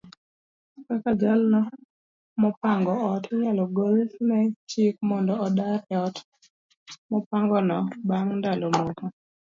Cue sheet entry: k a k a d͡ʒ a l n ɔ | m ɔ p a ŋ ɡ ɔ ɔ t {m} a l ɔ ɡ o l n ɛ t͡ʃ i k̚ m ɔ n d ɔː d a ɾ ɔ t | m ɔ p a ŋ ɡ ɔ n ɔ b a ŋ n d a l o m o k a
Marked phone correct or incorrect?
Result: incorrect: ɲ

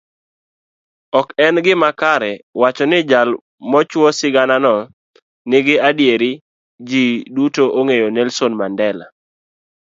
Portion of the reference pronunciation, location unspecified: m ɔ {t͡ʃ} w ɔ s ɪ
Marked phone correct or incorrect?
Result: correct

